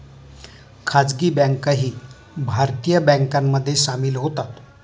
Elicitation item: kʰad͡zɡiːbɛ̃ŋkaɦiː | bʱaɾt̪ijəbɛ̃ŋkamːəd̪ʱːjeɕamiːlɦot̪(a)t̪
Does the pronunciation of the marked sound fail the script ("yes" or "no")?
no